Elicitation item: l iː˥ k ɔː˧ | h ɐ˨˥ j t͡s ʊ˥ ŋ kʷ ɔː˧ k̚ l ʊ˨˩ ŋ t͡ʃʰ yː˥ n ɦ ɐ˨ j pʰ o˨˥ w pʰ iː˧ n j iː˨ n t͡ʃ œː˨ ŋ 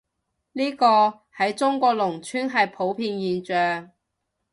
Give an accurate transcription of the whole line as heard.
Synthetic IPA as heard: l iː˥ k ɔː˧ | h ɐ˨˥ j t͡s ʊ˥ ŋ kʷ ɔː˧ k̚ l ʊ˨˩ ŋ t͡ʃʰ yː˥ n ɦ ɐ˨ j pʰ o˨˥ w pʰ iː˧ n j iː˨ n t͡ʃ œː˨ ŋ